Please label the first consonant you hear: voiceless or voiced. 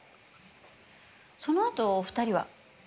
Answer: voiceless